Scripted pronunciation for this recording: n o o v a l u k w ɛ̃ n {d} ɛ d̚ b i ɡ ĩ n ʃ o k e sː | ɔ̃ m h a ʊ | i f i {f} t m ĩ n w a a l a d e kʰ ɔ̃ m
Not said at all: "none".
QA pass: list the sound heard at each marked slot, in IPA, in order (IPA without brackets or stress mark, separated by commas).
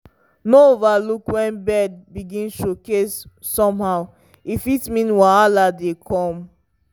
b, none